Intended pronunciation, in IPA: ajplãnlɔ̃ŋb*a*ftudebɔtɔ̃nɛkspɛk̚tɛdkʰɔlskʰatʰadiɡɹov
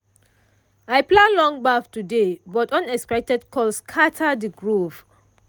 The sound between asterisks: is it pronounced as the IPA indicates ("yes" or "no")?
yes